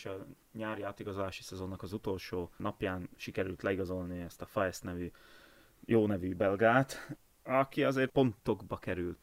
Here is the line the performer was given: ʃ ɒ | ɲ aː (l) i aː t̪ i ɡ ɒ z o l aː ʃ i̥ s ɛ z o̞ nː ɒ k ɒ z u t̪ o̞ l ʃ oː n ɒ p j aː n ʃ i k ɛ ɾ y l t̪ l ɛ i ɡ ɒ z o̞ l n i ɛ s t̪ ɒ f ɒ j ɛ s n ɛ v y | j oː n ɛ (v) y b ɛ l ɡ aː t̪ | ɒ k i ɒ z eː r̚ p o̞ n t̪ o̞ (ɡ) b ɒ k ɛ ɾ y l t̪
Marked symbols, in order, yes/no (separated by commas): no, yes, yes